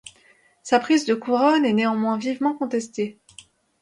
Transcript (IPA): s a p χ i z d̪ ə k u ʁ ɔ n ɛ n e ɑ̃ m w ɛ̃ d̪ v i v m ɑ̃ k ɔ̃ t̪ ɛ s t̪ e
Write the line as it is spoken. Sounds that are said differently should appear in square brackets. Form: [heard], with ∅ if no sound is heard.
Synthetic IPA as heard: s a p χ i z d̪ ə k u ʁ ɔ n ɛ n e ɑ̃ m w ɛ̃ [∅] v i v m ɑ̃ k ɔ̃ t̪ ɛ s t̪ e